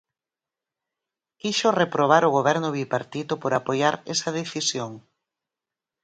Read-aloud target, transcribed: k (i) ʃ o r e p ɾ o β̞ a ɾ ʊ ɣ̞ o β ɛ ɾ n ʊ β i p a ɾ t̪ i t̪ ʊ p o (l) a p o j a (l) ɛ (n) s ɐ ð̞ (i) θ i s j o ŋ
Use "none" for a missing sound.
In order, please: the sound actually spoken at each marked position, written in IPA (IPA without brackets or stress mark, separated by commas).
i, ɾ, ɾ, none, e